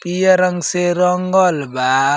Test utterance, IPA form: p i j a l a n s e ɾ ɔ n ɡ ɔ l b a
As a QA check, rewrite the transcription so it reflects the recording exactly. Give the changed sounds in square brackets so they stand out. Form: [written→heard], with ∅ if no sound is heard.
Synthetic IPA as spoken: p i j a [l→ɾ] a [n→ŋ] s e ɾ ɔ [n→ŋ] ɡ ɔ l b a